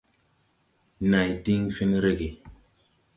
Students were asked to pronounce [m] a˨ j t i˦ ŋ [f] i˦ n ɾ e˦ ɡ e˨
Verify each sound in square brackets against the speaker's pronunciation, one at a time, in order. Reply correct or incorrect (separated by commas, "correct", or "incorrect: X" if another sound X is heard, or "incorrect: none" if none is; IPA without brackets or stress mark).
incorrect: n, correct